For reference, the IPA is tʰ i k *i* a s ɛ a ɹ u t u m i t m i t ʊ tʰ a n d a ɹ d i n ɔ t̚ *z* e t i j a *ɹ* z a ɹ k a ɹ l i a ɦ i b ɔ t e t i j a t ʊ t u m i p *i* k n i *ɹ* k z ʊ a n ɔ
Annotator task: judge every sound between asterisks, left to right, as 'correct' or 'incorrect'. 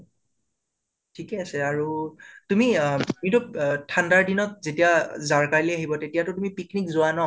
incorrect: ɛ, correct, incorrect: none, correct, incorrect: none

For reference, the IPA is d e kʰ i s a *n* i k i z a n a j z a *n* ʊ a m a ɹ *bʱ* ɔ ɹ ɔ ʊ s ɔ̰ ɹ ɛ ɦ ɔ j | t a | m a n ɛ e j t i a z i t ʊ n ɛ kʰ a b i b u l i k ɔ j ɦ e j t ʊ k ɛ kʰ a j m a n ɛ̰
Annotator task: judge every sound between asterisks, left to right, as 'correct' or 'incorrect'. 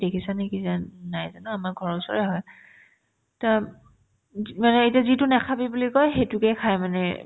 correct, correct, incorrect: ɡʱ

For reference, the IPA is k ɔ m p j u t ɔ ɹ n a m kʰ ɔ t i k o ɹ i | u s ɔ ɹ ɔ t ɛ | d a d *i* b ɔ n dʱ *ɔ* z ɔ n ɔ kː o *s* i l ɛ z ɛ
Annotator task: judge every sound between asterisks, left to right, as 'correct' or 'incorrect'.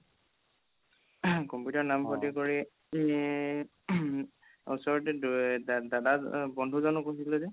incorrect: a, incorrect: u, correct

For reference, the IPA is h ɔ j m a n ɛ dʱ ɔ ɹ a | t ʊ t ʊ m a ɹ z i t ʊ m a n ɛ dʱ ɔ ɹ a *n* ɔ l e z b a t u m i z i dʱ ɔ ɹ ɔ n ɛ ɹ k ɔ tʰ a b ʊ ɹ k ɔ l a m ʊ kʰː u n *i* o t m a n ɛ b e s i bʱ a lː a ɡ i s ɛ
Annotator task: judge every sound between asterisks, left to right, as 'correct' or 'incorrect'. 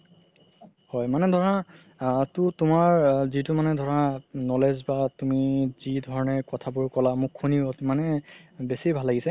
correct, correct

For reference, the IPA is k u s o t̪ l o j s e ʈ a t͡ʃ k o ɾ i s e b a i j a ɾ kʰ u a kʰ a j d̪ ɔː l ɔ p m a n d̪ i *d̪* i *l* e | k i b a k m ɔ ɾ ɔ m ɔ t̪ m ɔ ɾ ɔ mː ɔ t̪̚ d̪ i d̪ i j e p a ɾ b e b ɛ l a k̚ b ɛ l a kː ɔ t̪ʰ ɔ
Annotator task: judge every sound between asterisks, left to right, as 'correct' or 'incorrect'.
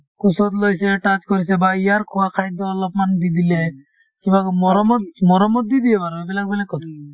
correct, correct

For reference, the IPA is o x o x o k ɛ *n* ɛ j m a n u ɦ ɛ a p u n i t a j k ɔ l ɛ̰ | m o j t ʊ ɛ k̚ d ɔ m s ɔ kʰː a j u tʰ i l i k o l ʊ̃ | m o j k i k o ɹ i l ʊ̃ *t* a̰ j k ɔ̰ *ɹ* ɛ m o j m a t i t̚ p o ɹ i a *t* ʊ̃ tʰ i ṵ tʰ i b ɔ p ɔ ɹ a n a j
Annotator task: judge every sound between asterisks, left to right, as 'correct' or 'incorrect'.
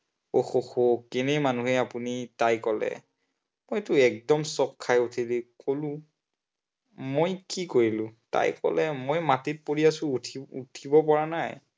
correct, correct, incorrect: l, incorrect: s

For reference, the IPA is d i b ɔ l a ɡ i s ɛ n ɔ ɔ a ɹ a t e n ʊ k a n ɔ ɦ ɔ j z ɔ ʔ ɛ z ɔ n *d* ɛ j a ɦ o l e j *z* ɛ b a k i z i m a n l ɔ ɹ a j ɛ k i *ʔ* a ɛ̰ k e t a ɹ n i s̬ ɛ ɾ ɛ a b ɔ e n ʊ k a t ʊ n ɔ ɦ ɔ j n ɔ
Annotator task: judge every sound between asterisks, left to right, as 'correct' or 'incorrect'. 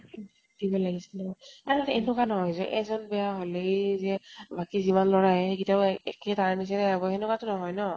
incorrect: b, correct, incorrect: t

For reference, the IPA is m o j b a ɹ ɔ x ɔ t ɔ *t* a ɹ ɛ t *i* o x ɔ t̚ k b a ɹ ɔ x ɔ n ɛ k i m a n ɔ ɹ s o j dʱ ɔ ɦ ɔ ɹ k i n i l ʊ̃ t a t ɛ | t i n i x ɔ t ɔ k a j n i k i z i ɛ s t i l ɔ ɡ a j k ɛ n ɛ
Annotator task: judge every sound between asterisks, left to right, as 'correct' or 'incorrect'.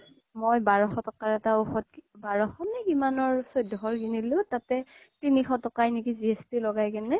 incorrect: k, incorrect: a

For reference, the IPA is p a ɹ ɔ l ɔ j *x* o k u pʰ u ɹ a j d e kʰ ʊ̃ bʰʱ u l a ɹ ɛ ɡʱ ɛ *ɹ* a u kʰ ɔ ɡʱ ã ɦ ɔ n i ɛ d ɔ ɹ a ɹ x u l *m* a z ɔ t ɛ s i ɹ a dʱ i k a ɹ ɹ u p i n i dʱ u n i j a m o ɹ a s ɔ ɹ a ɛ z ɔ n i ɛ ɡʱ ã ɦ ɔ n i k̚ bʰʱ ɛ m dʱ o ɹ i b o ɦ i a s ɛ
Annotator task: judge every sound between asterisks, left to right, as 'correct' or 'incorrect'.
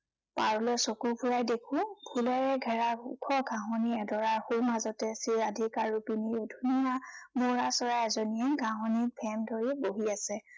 incorrect: s, correct, correct

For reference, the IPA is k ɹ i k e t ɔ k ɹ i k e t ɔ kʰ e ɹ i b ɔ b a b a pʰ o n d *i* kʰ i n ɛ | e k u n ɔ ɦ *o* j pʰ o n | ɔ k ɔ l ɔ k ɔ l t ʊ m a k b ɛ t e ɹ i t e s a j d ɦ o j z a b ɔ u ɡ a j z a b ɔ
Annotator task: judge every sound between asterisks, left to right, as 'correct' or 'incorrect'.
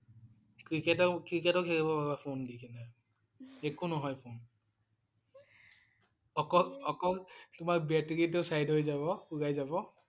correct, incorrect: ɔ

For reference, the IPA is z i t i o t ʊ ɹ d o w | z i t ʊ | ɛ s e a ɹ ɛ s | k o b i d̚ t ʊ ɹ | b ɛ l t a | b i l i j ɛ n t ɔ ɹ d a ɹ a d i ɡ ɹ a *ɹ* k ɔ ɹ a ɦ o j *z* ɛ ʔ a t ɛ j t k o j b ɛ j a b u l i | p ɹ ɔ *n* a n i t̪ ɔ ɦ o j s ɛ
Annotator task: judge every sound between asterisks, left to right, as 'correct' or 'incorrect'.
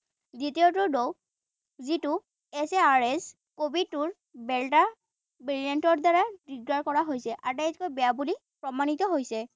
correct, incorrect: s, incorrect: m

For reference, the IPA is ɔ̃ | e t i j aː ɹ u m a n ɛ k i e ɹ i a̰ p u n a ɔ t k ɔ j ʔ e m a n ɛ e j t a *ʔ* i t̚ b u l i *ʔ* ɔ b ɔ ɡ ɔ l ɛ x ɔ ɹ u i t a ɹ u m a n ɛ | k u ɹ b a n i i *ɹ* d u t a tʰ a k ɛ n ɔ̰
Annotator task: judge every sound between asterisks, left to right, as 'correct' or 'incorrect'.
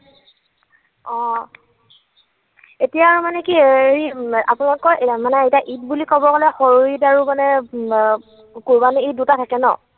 correct, incorrect: k, incorrect: none

